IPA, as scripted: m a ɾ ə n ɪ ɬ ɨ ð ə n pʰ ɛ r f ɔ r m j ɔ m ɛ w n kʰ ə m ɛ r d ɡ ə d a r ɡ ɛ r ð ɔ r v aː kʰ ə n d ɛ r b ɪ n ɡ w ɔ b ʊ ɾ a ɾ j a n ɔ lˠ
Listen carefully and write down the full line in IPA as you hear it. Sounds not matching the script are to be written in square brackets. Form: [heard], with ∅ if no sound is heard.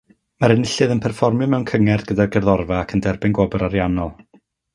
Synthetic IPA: m a ɾ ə n ɪ ɬ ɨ ð ə n pʰ ɛ r f ɔ r m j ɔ m ɛ w n kʰ ə [ŋ] ɛ r d ɡ ə d a r ɡ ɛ r ð ɔ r v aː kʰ ə n d ɛ r b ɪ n ɡ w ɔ b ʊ ɾ a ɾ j a n ɔ lˠ